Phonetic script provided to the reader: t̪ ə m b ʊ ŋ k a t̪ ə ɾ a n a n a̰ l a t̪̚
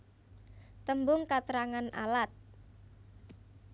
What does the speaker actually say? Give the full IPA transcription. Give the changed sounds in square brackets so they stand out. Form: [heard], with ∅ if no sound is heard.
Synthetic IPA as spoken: t̪ ə m b ʊ ŋ k a t̪ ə ɾ a [ŋ] a n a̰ l a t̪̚